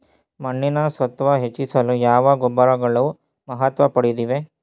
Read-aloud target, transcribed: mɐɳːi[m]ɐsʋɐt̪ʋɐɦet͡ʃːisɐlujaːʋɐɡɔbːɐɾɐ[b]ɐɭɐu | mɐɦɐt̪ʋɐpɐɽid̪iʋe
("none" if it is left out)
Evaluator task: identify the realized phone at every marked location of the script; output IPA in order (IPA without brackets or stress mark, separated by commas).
n, ɡ